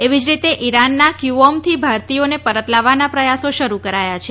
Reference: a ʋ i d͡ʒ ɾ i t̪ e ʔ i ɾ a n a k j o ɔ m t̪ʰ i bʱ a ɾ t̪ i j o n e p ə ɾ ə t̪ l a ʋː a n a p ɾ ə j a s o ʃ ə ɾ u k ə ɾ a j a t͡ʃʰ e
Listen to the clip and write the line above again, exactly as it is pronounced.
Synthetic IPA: e ʋ i d͡ʒ ɾ i t̪ e ʔ i ɾ a nː a k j u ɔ m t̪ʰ i bʱ a ɾ t̪ i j o n e p ə ɾ ə t̪ l a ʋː a n a p ɾ ə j a s o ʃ ə ɾ u k ə ɾ a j a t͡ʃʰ e